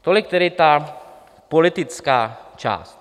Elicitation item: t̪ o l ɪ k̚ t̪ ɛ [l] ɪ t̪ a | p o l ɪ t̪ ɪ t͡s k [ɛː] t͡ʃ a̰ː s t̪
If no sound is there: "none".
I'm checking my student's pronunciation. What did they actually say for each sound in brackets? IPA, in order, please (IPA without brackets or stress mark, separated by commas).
ɾ, aː